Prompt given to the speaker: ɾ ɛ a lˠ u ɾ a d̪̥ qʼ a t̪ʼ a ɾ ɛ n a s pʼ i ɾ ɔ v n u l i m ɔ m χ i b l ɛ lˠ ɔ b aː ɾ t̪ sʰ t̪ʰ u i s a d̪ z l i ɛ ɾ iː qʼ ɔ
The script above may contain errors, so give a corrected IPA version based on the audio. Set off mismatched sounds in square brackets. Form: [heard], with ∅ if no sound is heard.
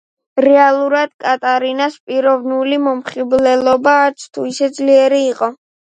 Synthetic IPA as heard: ɾ ɛ a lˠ u ɾ a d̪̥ [kʼ] a t̪ʼ a ɾ [i] n a s pʼ i ɾ ɔ v n u l i m ɔ m χ i b l ɛ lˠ ɔ b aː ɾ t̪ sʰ t̪ʰ u i s [ɛ] d̪ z l i ɛ ɾ iː qʼ ɔ

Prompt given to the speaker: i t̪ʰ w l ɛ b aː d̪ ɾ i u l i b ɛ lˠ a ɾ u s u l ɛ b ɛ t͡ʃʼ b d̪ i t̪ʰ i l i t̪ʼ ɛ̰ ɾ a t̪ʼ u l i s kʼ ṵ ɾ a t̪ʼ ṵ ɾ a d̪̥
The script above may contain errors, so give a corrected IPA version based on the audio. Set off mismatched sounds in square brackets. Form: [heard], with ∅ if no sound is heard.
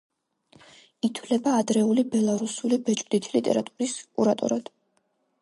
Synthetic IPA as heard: i t̪ʰ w l ɛ b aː d̪ ɾ [ɛ] u l i b ɛ lˠ a ɾ u s u l [i] b ɛ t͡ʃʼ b d̪ i t̪ʰ i l i t̪ʼ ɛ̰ ɾ a t̪ʼ u [ɾ] i s kʼ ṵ ɾ a t̪ʼ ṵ ɾ a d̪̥

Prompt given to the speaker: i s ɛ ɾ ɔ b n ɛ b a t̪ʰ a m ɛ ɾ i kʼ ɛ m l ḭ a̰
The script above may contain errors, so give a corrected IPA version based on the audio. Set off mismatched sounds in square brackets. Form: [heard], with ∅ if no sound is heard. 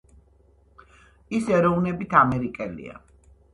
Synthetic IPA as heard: i s ɛ ɾ ɔ [v] n ɛ b [i] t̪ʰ a m ɛ ɾ i kʼ ɛ [∅] l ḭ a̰

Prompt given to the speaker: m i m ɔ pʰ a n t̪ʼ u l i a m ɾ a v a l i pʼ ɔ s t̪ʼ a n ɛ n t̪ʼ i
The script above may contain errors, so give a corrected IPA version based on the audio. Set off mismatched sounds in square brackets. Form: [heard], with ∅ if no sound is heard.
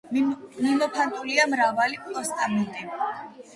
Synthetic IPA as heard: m i m ɔ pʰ a n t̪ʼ u l i a m ɾ a v a l i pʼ ɔ s t̪ʼ a [m] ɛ n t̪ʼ i

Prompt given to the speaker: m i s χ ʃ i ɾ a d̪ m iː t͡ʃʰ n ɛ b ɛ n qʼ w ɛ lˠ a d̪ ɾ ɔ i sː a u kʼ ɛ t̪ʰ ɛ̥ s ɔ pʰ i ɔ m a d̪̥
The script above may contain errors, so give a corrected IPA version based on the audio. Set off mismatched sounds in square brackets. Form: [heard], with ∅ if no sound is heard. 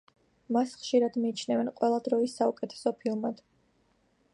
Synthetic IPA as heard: m [a] s χ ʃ i ɾ a d̪ m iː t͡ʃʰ n ɛ [v] ɛ n qʼ w ɛ lˠ a d̪ ɾ ɔ i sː a u kʼ ɛ t̪ʰ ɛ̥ s ɔ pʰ i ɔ m a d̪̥

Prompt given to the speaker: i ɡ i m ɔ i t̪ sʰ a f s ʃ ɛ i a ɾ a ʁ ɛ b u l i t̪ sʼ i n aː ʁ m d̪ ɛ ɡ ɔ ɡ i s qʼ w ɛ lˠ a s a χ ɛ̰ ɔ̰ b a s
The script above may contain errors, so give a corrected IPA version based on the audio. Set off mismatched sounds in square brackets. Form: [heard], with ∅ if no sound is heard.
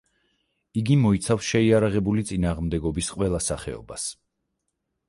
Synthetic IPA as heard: i ɡ i m ɔ i t̪ sʰ a f s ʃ ɛ i a ɾ a ʁ ɛ b u l i t̪ sʼ i n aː ʁ m d̪ ɛ ɡ ɔ [b] i s qʼ w ɛ lˠ a s a χ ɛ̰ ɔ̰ b a s

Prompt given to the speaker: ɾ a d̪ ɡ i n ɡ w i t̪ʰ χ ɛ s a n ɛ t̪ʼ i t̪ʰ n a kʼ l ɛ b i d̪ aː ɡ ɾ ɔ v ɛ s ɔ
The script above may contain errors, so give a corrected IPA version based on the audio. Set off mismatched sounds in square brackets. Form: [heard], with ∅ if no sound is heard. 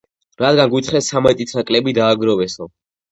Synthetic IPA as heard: ɾ a d̪ ɡ [a] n ɡ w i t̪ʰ χ ɛ s a [m] ɛ t̪ʼ i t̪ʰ n a kʼ l ɛ b i d̪ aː ɡ ɾ ɔ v ɛ s ɔ

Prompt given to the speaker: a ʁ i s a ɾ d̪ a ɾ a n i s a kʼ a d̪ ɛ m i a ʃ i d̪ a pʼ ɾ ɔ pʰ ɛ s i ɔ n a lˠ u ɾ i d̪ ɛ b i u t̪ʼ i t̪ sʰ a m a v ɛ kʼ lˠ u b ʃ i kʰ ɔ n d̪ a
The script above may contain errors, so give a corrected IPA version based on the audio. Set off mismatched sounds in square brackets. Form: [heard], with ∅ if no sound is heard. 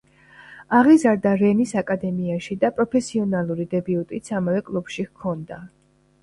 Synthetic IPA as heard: a ʁ i [z] a ɾ d̪ a ɾ [ɛ] n i s a kʼ a d̪ ɛ m i a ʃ i d̪ a pʼ ɾ ɔ pʰ ɛ s i ɔ n a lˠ u ɾ i d̪ ɛ b i u t̪ʼ i t̪ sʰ a m a v ɛ kʼ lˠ u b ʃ i kʰ ɔ n d̪ a

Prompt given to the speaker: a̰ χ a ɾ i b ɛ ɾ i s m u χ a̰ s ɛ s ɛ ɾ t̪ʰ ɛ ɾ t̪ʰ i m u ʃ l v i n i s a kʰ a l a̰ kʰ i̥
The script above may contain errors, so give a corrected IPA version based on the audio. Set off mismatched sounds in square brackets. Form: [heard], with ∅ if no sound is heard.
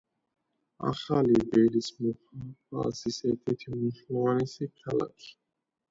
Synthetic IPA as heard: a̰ χ a [l] i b ɛ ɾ i s m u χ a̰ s [i] s ɛ ɾ t̪ʰ ɛ ɾ t̪ʰ i m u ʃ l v [a] n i s [i] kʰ a l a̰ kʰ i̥

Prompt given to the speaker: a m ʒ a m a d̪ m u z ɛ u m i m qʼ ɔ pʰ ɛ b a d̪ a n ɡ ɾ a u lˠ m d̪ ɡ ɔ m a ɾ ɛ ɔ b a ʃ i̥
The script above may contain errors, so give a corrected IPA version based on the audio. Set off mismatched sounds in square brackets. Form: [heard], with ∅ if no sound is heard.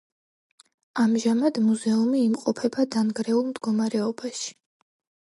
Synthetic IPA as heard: a m ʒ a m a d̪ m u z ɛ u m [iː] m qʼ ɔ pʰ ɛ b a d̪ a n ɡ ɾ [ɛ] u lˠ m d̪ ɡ ɔ m a ɾ ɛ ɔ b a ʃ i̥

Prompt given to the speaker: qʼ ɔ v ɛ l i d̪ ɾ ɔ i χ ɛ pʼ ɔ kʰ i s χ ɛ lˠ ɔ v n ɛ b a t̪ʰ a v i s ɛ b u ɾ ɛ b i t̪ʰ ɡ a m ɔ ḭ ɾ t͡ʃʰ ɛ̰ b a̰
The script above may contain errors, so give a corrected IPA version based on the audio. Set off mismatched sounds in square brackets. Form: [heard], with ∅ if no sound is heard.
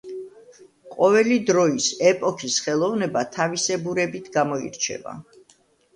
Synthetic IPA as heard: qʼ ɔ v ɛ l i d̪ ɾ ɔ i [s] ɛ pʼ ɔ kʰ i s χ ɛ lˠ ɔ v n ɛ b a t̪ʰ a v i s ɛ b u ɾ ɛ b i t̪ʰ ɡ a m ɔ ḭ ɾ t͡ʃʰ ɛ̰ [v] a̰

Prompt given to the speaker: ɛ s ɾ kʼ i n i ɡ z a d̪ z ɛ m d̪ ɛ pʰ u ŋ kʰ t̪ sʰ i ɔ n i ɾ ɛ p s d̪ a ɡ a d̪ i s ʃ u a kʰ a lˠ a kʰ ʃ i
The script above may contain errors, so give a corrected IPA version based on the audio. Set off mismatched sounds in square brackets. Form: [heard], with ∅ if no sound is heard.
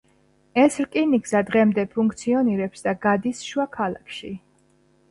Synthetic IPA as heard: ɛ s ɾ kʼ i n i ɡ z a d̪ [ʁ] ɛ m d̪ ɛ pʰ u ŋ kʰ t̪ sʰ i ɔ n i ɾ ɛ p s d̪ a ɡ a d̪ i s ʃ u a kʰ a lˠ a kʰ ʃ i

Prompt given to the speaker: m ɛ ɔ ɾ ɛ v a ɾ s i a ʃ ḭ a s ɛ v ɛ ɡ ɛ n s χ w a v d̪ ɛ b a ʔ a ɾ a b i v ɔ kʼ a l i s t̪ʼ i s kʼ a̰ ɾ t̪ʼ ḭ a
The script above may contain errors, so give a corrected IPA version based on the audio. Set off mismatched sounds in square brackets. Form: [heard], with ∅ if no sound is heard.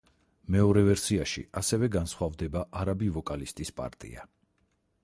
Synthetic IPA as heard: m ɛ ɔ ɾ ɛ v [ɛ] ɾ s i a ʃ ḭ a s ɛ v ɛ ɡ [a] n s χ w a v d̪ ɛ b a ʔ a ɾ a b i v ɔ kʼ a l i s t̪ʼ i s [pʼ] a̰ ɾ t̪ʼ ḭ a

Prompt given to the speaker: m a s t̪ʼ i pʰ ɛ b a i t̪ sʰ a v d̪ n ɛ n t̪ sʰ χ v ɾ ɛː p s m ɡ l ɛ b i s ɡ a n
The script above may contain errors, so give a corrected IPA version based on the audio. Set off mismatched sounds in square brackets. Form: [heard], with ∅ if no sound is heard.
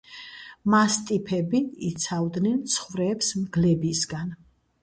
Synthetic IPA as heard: m a s t̪ʼ i pʰ ɛ b [i] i t̪ sʰ a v d̪ n ɛ n t̪ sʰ χ v ɾ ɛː p s m ɡ l ɛ b i s ɡ a n

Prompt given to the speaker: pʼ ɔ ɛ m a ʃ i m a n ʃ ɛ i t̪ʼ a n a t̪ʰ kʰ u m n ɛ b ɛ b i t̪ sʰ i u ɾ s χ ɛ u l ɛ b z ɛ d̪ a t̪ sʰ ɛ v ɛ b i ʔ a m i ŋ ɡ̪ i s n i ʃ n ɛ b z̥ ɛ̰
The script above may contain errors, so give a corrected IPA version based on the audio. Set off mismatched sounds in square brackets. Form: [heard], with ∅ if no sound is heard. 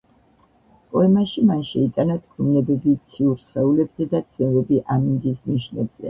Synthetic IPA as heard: pʼ ɔ ɛ m a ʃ i m a n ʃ ɛ i t̪ʼ a n a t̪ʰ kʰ u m n ɛ b ɛ b i t̪ sʰ i u ɾ s χ ɛ u l ɛ b z ɛ d̪ a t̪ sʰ ɛ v ɛ b i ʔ a m i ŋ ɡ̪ i s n i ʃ n ɛ b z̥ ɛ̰

